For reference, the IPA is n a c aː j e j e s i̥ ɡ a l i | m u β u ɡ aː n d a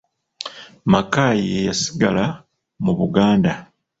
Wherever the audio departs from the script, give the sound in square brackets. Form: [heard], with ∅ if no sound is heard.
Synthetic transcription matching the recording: [m] a [k] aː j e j [a] s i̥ ɡ a l [a] | m u β u ɡ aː n d a